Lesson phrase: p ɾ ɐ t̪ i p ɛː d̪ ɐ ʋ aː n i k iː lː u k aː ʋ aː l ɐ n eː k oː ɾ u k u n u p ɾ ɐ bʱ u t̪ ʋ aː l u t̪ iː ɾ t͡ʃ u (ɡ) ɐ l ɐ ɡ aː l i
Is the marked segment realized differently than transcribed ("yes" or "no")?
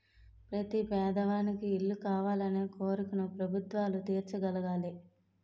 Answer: no